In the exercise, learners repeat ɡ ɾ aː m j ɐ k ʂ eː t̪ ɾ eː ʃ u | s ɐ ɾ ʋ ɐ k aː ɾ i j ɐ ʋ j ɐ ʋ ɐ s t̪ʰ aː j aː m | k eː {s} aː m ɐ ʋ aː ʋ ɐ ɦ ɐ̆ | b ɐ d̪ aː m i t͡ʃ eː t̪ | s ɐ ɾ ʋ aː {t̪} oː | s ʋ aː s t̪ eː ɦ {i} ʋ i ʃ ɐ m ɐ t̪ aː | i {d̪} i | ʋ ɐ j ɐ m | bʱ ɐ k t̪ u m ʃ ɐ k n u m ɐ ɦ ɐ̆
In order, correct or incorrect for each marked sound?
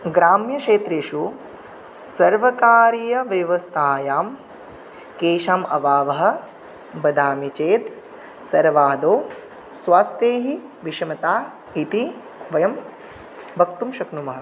incorrect: ʃ, incorrect: d̪, correct, incorrect: t̪

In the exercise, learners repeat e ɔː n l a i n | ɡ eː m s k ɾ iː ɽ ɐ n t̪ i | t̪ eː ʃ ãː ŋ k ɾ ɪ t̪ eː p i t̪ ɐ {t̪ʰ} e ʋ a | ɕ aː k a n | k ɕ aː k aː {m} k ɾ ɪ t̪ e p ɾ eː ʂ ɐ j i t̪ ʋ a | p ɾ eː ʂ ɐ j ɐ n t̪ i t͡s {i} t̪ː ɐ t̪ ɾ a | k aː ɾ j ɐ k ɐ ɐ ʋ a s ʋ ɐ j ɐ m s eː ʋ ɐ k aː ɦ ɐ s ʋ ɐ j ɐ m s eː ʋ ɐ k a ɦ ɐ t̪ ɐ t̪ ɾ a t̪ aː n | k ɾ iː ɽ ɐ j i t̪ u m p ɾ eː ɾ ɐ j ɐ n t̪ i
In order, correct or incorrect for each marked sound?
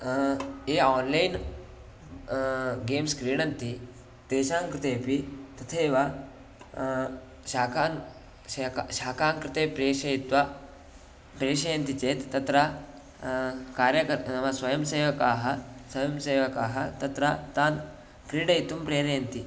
correct, incorrect: ŋ, incorrect: e

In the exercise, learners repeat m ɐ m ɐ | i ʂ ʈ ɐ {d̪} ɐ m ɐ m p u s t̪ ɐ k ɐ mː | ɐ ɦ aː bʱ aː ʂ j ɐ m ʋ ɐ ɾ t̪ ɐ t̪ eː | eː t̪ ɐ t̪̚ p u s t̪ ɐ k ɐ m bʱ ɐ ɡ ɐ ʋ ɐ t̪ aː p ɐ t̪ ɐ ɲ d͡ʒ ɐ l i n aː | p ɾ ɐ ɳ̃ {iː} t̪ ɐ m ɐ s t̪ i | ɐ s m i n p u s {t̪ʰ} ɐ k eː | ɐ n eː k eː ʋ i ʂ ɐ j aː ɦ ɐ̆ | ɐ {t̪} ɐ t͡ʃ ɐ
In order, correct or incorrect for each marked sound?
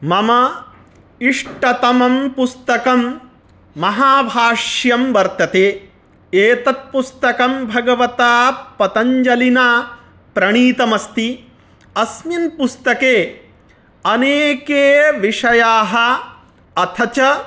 incorrect: t̪, correct, incorrect: t̪, incorrect: t̪ʰ

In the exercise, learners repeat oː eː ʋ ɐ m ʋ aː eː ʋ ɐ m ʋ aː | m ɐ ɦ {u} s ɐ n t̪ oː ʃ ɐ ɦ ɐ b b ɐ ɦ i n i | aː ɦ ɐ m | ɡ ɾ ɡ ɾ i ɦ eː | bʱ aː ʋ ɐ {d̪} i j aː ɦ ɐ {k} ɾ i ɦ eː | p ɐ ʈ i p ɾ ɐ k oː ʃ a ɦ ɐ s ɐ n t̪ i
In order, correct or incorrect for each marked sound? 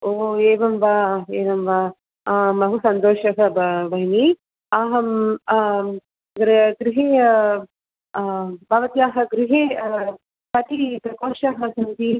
correct, incorrect: t̪, incorrect: ɡ

